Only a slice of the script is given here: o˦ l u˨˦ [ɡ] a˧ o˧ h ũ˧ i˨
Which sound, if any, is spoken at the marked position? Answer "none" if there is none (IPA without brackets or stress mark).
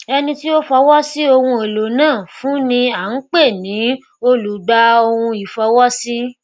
ɡ͡b